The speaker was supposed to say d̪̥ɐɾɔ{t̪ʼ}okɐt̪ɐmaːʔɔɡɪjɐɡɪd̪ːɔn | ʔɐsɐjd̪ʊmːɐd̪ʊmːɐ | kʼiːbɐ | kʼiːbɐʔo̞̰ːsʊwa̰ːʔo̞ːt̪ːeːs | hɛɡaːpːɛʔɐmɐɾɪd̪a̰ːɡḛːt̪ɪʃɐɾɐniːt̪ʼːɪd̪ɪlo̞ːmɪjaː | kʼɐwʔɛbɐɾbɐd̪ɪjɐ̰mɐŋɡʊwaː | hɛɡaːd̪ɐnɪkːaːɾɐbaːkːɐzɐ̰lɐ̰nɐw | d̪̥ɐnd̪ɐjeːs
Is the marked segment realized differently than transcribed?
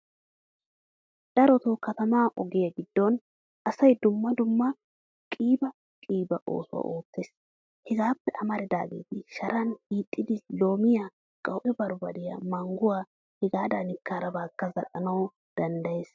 yes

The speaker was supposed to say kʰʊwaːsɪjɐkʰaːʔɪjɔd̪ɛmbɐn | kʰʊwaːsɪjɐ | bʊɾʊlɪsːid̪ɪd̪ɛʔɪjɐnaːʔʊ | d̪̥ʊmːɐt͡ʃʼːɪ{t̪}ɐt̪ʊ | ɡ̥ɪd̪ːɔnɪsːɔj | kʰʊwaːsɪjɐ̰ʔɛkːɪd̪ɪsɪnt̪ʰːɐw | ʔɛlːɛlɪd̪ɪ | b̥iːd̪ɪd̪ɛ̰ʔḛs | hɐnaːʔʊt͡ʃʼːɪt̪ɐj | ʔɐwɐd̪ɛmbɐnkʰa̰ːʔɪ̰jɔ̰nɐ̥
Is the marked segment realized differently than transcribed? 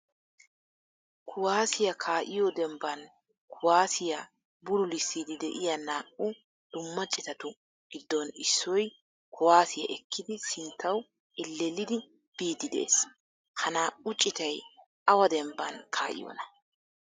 no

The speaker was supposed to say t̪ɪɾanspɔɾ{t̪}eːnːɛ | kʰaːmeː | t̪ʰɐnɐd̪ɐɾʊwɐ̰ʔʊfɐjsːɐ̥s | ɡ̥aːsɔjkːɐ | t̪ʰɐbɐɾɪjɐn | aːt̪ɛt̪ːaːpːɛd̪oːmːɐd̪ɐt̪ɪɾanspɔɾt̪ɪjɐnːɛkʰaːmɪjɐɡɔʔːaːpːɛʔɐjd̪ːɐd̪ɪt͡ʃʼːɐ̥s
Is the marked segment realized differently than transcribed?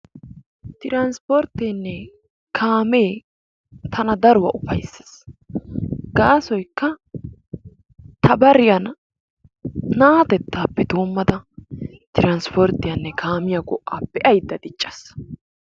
no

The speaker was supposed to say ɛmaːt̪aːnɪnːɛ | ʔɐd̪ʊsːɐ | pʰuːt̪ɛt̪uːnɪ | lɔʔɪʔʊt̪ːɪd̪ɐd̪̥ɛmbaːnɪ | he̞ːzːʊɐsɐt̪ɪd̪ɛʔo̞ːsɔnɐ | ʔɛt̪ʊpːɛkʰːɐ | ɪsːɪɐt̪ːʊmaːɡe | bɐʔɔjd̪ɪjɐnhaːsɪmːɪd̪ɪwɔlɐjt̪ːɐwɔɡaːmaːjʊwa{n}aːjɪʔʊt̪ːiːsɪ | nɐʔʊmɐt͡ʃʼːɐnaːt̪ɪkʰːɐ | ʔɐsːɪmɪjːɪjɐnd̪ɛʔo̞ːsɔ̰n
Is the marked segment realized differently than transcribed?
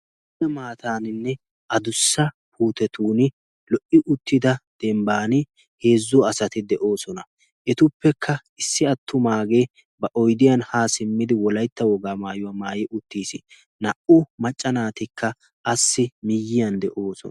yes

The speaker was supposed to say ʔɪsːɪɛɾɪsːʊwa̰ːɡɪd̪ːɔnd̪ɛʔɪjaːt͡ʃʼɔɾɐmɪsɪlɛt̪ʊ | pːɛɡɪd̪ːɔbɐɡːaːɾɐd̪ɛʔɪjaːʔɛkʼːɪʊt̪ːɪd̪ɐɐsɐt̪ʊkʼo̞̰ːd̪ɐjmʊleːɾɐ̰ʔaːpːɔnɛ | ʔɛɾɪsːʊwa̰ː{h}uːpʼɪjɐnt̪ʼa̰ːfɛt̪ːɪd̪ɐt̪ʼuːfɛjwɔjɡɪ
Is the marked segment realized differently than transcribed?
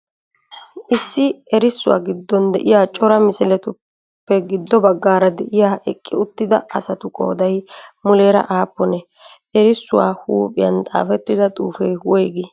no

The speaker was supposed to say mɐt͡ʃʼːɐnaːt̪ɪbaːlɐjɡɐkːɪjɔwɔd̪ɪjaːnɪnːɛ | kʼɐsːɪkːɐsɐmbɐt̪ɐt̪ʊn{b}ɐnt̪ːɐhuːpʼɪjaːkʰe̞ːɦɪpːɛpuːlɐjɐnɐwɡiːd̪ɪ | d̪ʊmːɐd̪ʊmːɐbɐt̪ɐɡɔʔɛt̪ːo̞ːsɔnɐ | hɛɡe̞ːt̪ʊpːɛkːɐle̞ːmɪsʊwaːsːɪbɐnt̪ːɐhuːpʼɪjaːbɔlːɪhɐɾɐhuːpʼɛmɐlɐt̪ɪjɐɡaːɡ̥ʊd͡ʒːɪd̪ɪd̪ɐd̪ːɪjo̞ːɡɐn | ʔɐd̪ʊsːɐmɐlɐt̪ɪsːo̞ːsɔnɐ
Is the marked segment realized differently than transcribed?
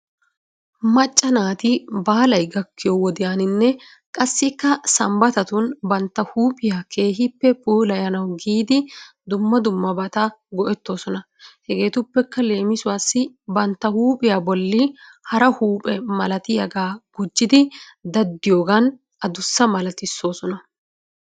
no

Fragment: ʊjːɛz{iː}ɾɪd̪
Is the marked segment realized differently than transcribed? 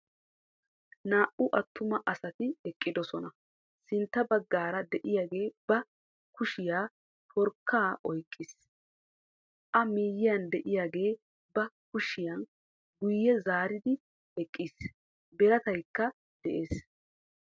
yes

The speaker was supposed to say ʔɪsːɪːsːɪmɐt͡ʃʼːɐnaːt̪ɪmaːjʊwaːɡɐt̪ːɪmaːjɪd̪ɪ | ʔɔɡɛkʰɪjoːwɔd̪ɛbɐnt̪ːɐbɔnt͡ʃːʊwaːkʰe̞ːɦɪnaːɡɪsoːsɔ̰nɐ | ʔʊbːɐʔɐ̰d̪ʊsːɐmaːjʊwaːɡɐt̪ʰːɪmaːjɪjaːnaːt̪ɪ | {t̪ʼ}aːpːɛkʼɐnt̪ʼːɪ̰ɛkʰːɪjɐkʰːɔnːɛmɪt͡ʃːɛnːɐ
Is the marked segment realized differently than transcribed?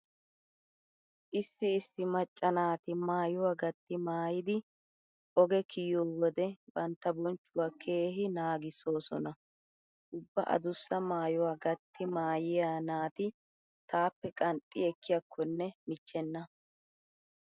yes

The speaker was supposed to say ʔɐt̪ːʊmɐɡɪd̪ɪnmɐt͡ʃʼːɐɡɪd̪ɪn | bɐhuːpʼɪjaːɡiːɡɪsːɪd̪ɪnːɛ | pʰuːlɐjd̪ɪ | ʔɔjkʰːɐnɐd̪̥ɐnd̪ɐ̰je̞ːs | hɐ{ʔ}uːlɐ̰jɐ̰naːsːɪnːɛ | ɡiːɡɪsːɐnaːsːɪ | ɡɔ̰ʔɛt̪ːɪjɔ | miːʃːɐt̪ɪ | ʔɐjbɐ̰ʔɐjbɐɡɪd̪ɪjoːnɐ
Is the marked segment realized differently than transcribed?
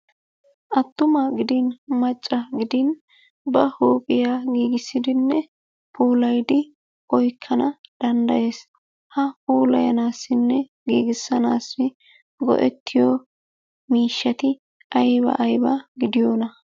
yes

